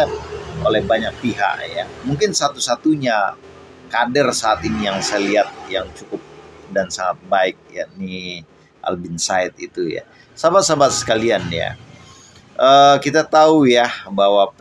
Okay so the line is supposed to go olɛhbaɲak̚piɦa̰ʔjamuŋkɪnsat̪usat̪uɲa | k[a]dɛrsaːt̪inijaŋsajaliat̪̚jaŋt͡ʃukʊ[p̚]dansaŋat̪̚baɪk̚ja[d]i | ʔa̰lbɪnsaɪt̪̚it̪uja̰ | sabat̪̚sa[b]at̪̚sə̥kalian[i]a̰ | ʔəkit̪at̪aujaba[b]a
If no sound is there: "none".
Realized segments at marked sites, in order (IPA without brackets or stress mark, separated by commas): a, p̚, n, b, j, w